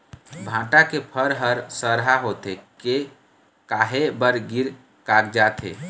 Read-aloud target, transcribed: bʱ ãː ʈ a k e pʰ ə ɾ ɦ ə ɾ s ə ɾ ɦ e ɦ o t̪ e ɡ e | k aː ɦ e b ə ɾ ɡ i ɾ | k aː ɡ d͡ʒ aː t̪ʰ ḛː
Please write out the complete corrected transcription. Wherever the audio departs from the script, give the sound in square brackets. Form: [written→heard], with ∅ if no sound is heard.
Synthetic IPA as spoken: bʱ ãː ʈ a k e pʰ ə ɾ ɦ ə ɾ s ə ɾ ɦ [e→a] ɦ o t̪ e [ɡ→k] e | k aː ɦ e b ə ɾ ɡ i ɾ | k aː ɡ d͡ʒ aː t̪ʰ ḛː